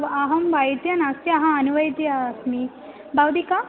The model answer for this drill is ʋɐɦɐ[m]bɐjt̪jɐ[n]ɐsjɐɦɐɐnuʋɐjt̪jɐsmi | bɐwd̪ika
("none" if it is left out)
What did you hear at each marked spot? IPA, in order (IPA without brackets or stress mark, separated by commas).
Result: m, n